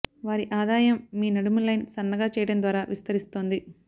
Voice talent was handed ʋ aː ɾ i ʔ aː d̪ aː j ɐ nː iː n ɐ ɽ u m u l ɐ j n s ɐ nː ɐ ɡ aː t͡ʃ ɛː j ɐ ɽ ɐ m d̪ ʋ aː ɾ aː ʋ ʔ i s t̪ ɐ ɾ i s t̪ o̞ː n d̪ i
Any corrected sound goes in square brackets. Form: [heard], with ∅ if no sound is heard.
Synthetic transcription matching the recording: ʋ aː ɾ i ʔ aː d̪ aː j ɐ [mː] iː n ɐ ɽ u m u l ɐ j n s ɐ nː ɐ ɡ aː t͡ʃ ɛː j ɐ ɽ ɐ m d̪ ʋ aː ɾ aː ʋ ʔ i s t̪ ɐ ɾ i s t̪ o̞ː n d̪ i

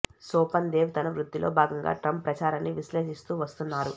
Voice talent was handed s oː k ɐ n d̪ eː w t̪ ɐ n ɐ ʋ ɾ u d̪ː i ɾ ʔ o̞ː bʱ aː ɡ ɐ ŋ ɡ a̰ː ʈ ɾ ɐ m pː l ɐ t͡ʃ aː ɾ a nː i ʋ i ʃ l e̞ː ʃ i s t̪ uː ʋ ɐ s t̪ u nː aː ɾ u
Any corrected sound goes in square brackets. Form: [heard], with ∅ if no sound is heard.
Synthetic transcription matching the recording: s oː [p] ɐ n d̪ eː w t̪ ɐ n ɐ ʋ ɾ u d̪ː i [l] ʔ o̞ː bʱ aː ɡ ɐ ŋ ɡ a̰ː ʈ ɾ ɐ m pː [ɾ] ɐ t͡ʃ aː ɾ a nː i ʋ i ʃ l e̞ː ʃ i s t̪ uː ʋ ɐ s t̪ u nː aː ɾ u

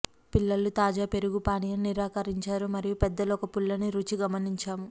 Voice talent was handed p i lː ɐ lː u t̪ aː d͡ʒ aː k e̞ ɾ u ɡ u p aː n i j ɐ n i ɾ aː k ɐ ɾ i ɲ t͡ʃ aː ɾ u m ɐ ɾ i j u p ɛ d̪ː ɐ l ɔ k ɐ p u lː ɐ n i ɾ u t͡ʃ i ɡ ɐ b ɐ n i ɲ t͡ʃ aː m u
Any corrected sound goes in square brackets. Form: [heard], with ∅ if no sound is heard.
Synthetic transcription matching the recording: p i lː ɐ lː u t̪ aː d͡ʒ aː [p] e̞ ɾ u ɡ u p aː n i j ɐ n i ɾ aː k ɐ ɾ i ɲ t͡ʃ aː ɾ u m ɐ ɾ i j u p ɛ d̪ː ɐ l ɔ k ɐ p u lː ɐ n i ɾ u t͡ʃ i ɡ ɐ [m] ɐ n i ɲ t͡ʃ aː m u

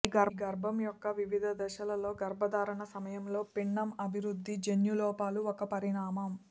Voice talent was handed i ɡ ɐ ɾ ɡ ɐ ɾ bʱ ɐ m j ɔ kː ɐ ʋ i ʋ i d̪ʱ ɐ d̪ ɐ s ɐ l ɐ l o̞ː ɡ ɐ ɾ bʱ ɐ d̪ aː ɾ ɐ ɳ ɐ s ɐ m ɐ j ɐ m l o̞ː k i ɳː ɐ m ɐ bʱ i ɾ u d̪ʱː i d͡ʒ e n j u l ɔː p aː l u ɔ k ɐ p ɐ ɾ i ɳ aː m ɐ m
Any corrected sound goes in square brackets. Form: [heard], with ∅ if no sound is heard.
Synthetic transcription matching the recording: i ɡ ɐ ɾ ɡ ɐ ɾ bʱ ɐ m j ɔ kː ɐ ʋ i ʋ i d̪ʱ ɐ d̪ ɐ [ʃ] ɐ l ɐ l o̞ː ɡ ɐ ɾ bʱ ɐ d̪ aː ɾ ɐ ɳ ɐ s ɐ m ɐ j ɐ m l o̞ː [p] i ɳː ɐ m ɐ bʱ i ɾ u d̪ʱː i d͡ʒ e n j u l ɔː p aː l u ɔ k ɐ p ɐ ɾ i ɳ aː m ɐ m

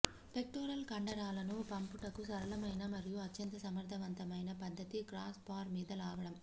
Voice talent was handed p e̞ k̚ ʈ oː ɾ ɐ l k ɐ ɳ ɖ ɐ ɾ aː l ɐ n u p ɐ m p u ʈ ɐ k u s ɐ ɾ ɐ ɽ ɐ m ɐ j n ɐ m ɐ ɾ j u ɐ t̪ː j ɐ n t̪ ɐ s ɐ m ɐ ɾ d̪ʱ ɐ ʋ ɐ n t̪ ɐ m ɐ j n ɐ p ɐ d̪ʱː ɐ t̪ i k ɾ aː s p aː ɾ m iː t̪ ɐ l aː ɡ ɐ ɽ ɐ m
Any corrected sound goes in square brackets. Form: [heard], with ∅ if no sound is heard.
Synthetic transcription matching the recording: p e̞ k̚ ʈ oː ɾ ɐ l k ɐ ɳ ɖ ɐ ɾ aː l ɐ n u p ɐ m p u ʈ ɐ k u s ɐ ɾ ɐ [l] ɐ m ɐ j n ɐ m ɐ ɾ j u ɐ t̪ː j ɐ n t̪ ɐ s ɐ m ɐ ɾ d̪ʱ ɐ ʋ ɐ n t̪ ɐ m ɐ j n ɐ p ɐ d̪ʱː ɐ t̪ i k ɾ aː s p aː ɾ m iː [d̪] ɐ l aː ɡ ɐ ɽ ɐ m

